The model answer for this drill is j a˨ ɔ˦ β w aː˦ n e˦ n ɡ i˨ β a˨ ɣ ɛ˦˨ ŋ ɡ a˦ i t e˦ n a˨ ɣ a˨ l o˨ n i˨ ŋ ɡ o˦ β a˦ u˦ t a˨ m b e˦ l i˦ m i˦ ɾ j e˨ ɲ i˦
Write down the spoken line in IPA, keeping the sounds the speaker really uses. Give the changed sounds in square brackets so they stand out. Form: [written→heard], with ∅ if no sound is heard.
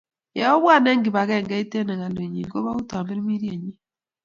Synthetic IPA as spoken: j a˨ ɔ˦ β w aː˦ n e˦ [n→ŋ] ɡ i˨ β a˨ ɣ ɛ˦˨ ŋ ɡ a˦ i t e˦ n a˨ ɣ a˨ l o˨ [n→ɲ] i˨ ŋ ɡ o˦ β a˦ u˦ t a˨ m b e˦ [l→ɾ] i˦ m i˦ ɾ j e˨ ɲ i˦